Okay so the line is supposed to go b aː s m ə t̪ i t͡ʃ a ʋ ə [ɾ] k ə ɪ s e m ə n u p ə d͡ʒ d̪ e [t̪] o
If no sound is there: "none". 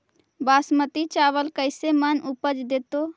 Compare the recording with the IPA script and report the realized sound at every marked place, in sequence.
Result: l, t̪

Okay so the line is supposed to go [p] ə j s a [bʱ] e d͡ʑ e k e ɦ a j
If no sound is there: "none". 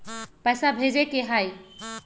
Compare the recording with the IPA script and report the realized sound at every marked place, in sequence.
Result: p, bʱ

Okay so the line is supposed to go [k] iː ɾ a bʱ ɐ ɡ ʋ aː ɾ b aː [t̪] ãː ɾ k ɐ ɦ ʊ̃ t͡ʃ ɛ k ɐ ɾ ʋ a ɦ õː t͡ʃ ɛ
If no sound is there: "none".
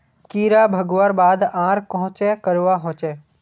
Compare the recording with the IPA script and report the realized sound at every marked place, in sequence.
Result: k, d̪

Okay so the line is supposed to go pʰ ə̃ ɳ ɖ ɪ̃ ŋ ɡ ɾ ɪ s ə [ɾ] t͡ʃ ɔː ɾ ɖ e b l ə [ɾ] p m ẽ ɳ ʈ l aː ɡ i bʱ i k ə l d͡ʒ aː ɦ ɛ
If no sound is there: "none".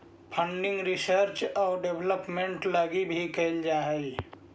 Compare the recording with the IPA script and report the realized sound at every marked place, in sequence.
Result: ɾ, none

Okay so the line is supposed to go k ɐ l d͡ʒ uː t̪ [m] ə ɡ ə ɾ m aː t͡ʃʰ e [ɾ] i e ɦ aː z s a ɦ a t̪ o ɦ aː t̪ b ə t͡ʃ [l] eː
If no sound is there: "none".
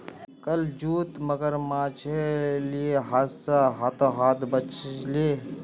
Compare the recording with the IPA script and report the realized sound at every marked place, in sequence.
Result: m, l, l

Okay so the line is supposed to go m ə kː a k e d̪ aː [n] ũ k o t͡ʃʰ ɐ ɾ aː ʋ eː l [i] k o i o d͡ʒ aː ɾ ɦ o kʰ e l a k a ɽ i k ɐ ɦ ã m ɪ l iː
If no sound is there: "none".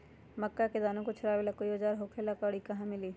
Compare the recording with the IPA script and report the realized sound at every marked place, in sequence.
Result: n, a

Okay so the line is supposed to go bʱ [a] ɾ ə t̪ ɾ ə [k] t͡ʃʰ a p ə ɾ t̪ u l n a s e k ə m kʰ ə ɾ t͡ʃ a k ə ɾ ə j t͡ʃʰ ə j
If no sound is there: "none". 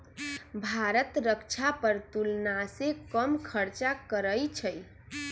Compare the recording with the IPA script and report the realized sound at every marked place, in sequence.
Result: a, k

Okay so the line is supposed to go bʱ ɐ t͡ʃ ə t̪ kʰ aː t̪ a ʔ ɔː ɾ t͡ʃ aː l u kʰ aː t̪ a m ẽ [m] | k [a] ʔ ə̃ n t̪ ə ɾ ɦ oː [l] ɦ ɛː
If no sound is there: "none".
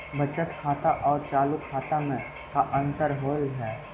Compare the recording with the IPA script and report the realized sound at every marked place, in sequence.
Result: none, a, l

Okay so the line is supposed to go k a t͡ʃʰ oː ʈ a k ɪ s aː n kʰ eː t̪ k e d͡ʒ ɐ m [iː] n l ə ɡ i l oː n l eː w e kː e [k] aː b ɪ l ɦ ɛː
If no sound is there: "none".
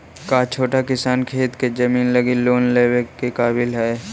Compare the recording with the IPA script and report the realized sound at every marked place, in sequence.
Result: iː, k

